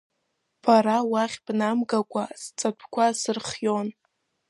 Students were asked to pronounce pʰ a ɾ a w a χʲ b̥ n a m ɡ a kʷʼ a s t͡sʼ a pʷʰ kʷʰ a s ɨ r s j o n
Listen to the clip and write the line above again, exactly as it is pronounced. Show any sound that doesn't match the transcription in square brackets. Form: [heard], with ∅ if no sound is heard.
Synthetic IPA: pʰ a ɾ a w a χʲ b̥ n a m ɡ a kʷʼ a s t͡sʼ a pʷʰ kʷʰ a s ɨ r [χ] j o n